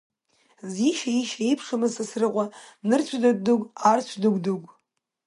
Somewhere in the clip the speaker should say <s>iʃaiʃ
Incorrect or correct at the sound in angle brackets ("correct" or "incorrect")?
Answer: incorrect